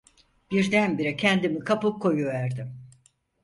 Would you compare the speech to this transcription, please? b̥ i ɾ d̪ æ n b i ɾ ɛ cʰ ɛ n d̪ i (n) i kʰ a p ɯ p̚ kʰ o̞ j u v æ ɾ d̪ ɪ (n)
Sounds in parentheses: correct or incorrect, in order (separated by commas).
incorrect, incorrect